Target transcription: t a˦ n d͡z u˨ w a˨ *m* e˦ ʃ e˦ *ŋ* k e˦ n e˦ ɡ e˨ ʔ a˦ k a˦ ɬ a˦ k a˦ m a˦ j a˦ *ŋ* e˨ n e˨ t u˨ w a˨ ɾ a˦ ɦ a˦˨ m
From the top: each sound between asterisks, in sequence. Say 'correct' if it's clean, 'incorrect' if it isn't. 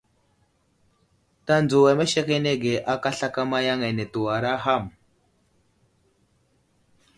correct, incorrect: none, correct

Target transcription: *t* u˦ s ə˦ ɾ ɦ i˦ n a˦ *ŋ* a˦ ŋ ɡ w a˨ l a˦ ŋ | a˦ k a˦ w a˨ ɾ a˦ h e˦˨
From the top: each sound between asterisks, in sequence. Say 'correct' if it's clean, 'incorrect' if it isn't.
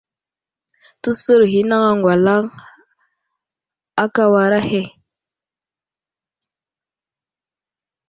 correct, correct

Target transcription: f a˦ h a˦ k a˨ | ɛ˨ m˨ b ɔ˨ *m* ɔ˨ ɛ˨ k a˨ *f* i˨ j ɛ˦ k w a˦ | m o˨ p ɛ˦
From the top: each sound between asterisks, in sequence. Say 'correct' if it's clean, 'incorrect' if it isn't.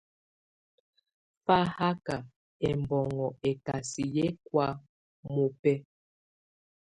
incorrect: ŋ, incorrect: s

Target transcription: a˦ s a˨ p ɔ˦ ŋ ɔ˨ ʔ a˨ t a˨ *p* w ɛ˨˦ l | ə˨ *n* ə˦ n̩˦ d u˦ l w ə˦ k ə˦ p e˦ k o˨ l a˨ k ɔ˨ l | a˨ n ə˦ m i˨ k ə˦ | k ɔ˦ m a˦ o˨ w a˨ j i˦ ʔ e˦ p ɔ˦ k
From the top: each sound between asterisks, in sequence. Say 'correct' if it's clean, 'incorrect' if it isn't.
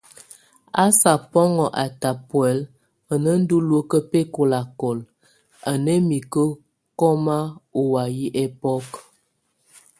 correct, correct

